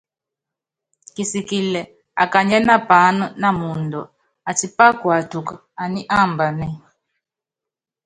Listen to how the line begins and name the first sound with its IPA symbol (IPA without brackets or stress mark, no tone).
k